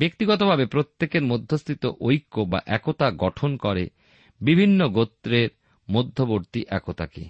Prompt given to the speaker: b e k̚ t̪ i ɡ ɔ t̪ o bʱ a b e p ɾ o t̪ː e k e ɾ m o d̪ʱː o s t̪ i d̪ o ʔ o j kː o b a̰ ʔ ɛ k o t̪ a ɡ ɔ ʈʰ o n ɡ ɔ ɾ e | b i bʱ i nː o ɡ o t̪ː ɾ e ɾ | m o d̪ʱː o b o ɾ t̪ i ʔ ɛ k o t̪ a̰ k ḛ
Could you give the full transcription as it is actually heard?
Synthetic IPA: b e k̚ t̪ i ɡ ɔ t̪ o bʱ a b e p ɾ o t̪ː e k e ɾ m o d̪ʱː o s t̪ i t̪ o ʔ o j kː o b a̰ ʔ ɛ k o t̪ a ɡ ɔ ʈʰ o n k ɔ ɾ e | b i bʱ i nː o ɡ o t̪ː ɾ e ɾ | m o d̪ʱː o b o ɾ t̪ i ʔ ɛ k o t̪ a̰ k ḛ